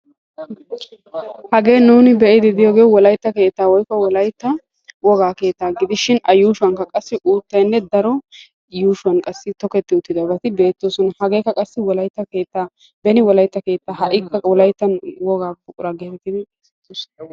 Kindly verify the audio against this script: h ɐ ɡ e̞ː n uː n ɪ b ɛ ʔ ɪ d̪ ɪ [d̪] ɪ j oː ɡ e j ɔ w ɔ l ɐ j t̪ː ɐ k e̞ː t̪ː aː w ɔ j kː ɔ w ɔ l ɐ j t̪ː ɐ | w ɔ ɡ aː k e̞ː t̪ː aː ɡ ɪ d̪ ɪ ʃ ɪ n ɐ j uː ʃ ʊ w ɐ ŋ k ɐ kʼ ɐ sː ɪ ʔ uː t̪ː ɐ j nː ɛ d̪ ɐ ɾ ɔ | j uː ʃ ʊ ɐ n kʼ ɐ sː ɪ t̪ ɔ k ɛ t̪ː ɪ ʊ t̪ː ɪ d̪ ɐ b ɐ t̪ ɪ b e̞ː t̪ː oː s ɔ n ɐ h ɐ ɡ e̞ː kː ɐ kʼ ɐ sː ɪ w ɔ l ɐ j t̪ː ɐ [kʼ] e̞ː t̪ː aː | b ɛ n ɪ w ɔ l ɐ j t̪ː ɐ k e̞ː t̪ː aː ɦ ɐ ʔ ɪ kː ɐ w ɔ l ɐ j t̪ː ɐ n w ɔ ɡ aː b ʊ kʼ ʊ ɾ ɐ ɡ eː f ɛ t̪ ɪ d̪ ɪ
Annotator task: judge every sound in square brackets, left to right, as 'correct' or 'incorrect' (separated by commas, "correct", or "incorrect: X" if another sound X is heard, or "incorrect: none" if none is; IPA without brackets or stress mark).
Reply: correct, incorrect: k